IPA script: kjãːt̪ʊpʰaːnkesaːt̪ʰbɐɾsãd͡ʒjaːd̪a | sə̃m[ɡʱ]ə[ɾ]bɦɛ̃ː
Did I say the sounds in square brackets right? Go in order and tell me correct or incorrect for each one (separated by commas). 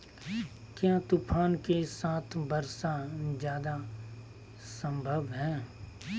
incorrect, incorrect